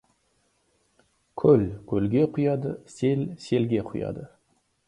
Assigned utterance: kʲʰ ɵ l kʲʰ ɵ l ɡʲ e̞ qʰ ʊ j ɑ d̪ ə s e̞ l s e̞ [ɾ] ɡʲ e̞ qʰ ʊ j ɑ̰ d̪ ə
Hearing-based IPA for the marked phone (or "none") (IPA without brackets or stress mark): l